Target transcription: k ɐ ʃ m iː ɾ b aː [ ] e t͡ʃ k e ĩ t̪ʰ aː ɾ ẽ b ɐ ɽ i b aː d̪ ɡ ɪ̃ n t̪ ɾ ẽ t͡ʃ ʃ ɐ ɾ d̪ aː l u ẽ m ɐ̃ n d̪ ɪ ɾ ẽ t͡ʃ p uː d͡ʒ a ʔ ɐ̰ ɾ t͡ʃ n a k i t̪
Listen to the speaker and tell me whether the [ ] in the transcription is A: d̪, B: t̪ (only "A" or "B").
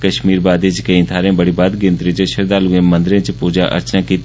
A